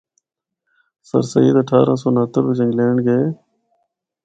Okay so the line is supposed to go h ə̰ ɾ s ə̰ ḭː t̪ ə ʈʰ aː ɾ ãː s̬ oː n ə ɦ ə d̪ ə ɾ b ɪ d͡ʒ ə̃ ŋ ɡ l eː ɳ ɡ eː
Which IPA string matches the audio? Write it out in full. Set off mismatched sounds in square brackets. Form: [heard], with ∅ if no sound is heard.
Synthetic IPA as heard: [s] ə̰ ɾ s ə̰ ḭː [d̪] ə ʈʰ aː ɾ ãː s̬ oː n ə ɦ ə [t̪] ə ɾ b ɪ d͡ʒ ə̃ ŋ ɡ l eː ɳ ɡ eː